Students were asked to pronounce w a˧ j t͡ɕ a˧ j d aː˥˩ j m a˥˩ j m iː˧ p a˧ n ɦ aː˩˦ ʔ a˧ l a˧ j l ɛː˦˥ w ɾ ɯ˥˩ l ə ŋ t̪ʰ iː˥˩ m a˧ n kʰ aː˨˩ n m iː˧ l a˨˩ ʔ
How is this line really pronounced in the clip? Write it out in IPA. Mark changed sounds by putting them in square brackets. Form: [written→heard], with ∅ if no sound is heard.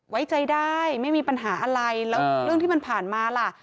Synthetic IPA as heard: w [a˧→a˦˥] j t͡ɕ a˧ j d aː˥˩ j m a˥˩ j m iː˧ p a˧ n ɦ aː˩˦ ʔ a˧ [l→ɾ] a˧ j l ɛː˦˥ w ɾ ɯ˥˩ [l→∅] ə ŋ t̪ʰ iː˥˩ m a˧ n [kʰ→pʰ] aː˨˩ n m [iː˧→aː˧] l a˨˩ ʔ